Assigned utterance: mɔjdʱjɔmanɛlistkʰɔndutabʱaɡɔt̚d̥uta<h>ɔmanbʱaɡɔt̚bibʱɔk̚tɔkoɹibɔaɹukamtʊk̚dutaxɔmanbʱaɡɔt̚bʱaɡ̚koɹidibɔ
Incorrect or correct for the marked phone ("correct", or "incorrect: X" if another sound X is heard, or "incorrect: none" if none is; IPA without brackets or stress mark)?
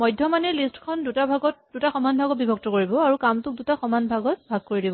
incorrect: x